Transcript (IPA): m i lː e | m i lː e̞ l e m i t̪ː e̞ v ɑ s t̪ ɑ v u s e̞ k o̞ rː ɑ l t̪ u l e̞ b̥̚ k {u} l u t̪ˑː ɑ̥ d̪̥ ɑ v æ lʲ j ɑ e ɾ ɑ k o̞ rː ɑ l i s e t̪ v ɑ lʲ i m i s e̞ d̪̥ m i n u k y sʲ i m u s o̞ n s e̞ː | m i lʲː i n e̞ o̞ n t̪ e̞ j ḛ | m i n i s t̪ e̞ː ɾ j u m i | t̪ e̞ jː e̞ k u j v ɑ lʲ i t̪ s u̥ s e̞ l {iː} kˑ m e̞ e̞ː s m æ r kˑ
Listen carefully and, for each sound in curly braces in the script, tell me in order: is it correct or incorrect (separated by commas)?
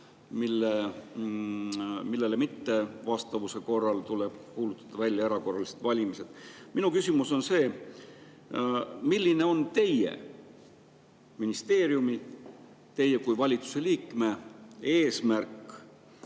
incorrect, correct